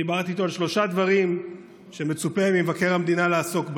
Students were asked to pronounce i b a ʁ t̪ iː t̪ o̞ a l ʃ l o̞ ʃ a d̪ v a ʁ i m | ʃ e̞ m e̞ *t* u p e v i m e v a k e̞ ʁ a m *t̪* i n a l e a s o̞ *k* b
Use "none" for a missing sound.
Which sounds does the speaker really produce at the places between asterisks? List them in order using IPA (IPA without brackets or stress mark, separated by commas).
t͡s, d̪, k